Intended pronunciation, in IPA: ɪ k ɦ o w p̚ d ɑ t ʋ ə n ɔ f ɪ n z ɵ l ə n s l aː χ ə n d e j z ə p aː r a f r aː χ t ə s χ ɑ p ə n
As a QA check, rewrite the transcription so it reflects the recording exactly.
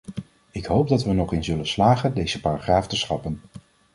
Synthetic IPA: ɪ k ɦ o w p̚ d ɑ t ʋ ə n ɔ χ ɪ n z ɵ l ə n s l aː χ ə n d e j z ə p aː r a χ r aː f t ə s χ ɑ p ə n